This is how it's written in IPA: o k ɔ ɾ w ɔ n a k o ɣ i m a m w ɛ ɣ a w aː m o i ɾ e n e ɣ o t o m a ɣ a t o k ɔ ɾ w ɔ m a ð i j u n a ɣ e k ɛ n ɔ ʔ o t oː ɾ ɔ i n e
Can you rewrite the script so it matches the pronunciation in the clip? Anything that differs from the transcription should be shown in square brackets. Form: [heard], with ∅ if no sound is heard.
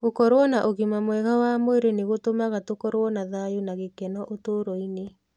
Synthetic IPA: o k ɔ ɾ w ɔ n a [ʔ] o ɣ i m a m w ɛ ɣ a w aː m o [e] ɾ e n e ɣ o t o m a ɣ a t o k ɔ ɾ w ɔ [n] a ð [a] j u n a ɣ e k ɛ n ɔ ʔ o t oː ɾ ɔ i n e